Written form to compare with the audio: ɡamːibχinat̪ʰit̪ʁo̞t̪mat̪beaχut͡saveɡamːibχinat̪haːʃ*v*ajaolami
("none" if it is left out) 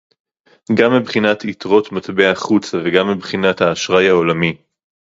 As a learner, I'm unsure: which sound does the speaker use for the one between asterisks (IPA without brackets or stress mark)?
ʁ